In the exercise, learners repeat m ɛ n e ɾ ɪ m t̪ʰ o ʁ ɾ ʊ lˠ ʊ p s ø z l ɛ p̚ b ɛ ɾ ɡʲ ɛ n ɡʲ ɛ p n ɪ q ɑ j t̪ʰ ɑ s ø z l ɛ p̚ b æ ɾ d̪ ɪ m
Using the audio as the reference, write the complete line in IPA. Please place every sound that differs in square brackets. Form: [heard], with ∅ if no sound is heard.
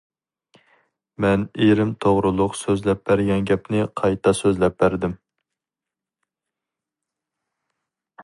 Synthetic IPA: m ɛ n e ɾ ɪ m t̪ʰ o ʁ ɾ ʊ lˠ ʊ [q] s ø z l ɛ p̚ b [æ] ɾ ɡʲ ɛ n ɡʲ ɛ p n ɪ [qʰ] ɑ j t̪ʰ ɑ s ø z l ɛ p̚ b æ ɾ d̪ ɪ m